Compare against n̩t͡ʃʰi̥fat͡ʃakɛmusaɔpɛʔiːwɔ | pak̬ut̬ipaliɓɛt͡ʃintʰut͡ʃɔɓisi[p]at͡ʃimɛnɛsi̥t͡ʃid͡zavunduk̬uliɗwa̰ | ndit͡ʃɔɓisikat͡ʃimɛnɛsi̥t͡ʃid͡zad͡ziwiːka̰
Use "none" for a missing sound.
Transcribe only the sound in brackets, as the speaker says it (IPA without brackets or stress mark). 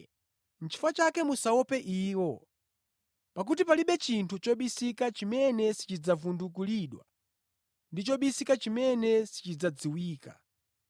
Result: k